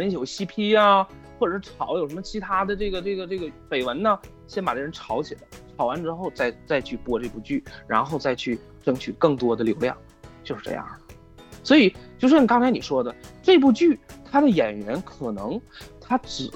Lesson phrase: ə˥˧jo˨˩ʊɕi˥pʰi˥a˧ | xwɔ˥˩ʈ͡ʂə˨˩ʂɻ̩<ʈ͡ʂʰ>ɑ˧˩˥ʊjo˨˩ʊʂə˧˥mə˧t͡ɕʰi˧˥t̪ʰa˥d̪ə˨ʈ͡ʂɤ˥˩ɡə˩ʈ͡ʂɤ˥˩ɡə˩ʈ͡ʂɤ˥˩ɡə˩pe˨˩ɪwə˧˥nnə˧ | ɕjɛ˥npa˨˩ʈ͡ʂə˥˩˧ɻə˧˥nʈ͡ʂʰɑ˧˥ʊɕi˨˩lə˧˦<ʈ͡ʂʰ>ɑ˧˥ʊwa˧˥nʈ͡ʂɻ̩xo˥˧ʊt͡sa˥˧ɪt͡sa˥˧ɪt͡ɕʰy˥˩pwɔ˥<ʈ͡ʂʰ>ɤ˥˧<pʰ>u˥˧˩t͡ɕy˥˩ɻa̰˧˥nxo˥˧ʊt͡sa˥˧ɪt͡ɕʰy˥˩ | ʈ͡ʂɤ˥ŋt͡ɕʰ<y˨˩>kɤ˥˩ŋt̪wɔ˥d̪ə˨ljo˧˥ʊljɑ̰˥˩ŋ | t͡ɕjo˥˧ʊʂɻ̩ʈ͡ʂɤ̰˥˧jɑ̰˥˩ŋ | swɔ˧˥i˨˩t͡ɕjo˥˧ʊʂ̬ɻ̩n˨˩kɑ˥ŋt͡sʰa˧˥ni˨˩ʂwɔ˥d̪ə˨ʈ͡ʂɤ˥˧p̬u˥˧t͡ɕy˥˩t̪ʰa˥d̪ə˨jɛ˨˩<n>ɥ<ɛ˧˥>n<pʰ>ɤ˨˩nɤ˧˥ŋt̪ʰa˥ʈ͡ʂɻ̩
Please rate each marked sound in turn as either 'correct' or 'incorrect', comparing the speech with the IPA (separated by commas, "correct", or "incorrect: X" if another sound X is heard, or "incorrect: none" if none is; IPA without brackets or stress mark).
correct, correct, incorrect: ʈ͡ʂ, incorrect: p, correct, correct, correct, incorrect: kʰ